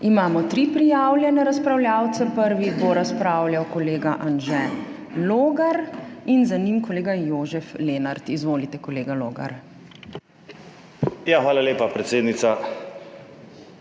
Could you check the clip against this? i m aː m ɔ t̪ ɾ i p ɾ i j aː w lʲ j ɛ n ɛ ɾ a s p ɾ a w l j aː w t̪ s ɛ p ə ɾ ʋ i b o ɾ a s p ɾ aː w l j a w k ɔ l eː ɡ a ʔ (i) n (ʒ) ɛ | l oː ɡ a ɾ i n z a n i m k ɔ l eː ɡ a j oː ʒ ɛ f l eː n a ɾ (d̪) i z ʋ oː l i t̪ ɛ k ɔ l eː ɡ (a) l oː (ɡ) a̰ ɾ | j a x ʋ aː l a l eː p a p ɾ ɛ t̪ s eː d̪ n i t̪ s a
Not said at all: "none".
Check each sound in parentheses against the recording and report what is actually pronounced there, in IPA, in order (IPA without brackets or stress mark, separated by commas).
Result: a, ʒ, t̪, a, ɡ